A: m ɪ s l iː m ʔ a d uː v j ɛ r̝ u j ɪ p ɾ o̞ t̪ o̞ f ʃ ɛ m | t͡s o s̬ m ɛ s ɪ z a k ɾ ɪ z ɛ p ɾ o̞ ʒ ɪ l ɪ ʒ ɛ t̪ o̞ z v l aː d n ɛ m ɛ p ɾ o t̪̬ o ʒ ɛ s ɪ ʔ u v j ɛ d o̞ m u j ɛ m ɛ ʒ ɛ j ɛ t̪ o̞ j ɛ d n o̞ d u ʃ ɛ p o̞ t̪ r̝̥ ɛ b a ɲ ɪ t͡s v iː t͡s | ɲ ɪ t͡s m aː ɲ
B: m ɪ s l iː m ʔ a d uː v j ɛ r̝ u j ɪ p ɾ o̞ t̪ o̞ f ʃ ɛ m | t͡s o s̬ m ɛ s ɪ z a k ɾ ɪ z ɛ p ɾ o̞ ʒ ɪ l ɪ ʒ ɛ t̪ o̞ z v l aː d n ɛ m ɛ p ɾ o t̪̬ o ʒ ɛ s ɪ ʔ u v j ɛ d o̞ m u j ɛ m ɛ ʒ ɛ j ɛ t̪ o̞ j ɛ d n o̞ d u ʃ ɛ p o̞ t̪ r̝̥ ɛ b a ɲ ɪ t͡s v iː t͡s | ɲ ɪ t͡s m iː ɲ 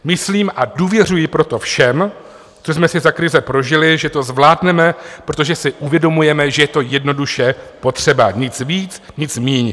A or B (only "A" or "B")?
B